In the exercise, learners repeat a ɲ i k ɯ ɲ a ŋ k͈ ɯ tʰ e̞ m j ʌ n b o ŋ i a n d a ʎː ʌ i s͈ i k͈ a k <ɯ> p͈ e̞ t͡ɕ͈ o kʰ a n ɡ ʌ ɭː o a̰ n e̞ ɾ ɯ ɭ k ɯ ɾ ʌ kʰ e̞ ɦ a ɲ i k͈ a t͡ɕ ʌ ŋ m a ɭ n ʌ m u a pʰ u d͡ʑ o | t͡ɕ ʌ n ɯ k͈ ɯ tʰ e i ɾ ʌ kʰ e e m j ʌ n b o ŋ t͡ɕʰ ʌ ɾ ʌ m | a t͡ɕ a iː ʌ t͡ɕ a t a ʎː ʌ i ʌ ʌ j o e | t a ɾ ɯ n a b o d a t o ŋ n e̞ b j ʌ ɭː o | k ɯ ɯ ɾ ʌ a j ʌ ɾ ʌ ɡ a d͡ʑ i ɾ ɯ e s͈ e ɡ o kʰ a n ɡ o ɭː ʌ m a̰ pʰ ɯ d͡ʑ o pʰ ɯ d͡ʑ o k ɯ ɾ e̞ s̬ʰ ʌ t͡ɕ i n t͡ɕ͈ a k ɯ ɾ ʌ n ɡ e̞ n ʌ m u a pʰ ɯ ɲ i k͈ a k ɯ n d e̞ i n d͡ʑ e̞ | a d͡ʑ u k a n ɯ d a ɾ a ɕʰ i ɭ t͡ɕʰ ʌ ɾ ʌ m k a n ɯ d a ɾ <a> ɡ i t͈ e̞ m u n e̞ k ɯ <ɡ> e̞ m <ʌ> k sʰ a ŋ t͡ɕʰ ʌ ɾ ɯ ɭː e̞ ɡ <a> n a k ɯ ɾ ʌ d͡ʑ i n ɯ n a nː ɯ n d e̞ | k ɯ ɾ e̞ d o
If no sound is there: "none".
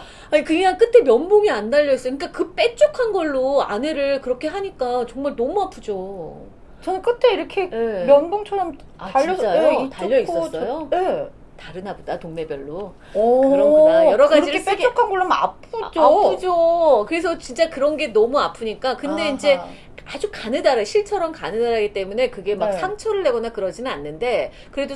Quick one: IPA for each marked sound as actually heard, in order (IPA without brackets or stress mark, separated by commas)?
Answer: ɯ, a, ɡ, a, ʌ